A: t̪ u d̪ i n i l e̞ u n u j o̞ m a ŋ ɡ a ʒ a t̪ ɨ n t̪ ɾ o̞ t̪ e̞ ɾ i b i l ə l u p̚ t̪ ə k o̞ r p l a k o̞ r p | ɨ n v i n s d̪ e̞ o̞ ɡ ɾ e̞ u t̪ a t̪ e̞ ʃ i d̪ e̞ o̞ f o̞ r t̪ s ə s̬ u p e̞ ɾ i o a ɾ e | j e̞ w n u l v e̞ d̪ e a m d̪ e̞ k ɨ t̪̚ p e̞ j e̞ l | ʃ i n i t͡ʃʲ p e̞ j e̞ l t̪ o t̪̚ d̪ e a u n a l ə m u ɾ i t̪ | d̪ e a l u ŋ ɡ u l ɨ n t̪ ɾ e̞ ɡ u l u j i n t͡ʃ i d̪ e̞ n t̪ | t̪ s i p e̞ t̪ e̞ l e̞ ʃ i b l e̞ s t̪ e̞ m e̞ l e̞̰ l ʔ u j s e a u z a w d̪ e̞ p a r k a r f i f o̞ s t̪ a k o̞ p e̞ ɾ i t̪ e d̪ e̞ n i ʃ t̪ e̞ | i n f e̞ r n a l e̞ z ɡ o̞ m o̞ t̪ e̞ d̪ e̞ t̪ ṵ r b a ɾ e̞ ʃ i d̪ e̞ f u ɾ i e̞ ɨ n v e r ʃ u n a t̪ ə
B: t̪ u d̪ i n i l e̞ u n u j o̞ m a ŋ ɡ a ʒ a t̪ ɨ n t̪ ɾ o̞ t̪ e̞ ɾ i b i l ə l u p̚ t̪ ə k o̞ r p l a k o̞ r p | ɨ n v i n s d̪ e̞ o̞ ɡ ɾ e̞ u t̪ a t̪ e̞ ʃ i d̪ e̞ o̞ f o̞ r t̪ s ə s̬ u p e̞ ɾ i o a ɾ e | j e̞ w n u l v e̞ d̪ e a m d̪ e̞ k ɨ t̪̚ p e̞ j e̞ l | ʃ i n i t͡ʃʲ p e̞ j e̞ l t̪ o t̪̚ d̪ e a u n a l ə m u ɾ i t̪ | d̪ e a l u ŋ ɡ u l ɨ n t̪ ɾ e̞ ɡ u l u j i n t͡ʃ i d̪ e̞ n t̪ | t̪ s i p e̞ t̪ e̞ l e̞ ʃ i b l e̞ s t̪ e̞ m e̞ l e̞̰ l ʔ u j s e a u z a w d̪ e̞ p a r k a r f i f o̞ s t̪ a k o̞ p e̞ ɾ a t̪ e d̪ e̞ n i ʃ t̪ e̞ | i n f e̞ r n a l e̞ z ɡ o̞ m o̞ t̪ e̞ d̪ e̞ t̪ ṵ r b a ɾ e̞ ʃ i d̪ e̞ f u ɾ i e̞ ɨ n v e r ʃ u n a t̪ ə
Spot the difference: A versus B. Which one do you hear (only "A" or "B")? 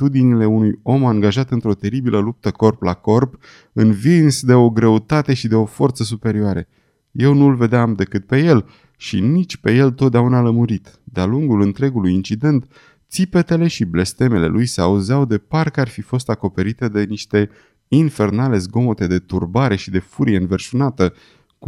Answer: A